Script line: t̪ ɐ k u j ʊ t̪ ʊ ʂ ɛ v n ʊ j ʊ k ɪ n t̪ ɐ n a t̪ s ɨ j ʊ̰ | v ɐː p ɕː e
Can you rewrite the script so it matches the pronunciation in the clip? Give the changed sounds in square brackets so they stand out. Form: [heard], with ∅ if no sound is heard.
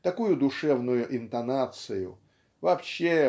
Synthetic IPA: t̪ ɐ k u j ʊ [d̪] ʊ ʂ ɛ v n ʊ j ʊ [ʔ] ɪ n t̪ ɐ n a t̪ s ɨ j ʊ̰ | v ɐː p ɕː e